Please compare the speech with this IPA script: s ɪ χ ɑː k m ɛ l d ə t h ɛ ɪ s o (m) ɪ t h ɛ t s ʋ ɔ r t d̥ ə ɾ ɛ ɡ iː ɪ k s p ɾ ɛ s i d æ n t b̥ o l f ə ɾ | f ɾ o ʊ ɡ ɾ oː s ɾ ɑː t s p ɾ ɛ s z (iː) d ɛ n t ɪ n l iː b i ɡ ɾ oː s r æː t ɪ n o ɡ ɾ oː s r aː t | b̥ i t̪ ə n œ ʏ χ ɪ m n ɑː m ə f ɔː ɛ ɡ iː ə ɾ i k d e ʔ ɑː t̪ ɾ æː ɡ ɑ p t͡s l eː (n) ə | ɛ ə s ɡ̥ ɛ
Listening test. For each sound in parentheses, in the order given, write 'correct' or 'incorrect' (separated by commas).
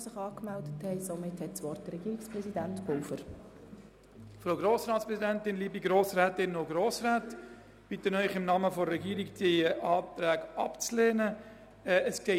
correct, incorrect, correct